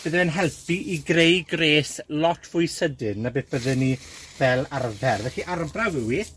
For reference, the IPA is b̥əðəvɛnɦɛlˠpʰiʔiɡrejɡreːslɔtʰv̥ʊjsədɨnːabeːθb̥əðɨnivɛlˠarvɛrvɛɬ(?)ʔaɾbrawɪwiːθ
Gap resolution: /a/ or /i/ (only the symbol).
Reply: i